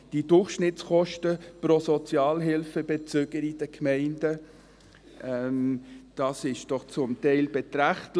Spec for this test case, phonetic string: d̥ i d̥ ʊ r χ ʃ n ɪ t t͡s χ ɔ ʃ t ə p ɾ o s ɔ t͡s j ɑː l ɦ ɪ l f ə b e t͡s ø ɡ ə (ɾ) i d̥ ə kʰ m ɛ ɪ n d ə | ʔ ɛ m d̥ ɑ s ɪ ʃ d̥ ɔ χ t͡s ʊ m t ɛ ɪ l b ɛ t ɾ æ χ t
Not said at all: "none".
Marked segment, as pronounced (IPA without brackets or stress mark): ɾ